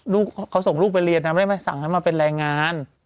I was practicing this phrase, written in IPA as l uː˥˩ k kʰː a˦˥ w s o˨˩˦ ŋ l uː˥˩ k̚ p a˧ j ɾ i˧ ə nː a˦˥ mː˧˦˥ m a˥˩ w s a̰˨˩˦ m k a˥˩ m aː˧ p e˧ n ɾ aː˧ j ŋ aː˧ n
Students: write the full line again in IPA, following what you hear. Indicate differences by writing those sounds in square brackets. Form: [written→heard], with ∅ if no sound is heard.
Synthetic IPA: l uː˥˩ k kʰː a˦˥ w s o˨˩˦ ŋ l uː˥˩ k̚ p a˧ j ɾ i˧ ə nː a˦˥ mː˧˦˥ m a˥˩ [w→∅] s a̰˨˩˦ [m→ŋ] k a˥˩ m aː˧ p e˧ n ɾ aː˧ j ŋ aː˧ n